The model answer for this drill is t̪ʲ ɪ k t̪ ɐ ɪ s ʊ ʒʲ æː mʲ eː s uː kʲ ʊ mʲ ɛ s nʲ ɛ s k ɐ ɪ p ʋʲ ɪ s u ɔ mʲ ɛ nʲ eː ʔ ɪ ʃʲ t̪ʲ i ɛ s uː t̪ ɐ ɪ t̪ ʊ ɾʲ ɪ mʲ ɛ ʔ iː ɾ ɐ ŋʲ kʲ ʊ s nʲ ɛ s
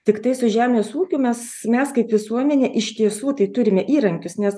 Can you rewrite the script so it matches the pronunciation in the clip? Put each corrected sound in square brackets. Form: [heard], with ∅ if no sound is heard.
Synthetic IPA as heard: t̪ʲ ɪ k t̪ ɐ ɪ s ʊ ʒʲ æː mʲ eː s uː kʲ ʊ mʲ ɛ s [mʲ] ɛ s k ɐ ɪ p ʋʲ ɪ s u ɔ mʲ ɛ nʲ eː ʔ ɪ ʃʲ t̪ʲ i ɛ s uː t̪ ɐ ɪ t̪ ʊ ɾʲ ɪ mʲ ɛ ʔ iː ɾ ɐ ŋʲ kʲ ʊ s nʲ ɛ s